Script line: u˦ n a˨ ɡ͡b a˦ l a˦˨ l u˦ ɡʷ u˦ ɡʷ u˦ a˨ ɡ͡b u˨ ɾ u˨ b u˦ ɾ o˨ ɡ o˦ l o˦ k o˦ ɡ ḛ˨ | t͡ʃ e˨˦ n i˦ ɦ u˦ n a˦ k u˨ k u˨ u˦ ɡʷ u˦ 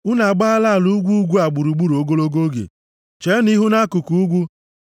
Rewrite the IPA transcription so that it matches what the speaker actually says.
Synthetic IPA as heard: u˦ n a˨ ɡ͡b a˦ l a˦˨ l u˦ ɡʷ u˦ ɡʷ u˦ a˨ ɡ͡b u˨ ɾ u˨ ɡ͡b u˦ ɾ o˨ ɡ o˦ l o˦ ɡ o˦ ɡ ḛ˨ | t͡ʃ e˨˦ n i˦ ɦ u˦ n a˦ k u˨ k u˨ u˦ ɡʷ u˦